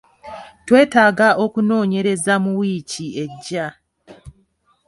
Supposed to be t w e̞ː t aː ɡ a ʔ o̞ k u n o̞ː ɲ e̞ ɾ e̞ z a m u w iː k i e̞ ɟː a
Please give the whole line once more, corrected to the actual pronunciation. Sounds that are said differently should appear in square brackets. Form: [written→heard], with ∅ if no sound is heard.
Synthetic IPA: t w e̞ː t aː ɡ a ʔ o̞ k u n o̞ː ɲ e̞ ɾ e̞ z a m u w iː [k→c] i e̞ ɟː a